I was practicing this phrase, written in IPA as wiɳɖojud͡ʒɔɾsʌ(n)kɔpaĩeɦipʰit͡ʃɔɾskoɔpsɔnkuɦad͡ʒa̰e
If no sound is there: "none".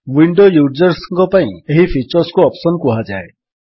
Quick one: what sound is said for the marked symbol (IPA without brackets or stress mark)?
ŋ